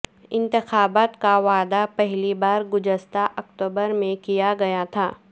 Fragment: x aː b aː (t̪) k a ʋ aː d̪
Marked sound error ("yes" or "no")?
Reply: no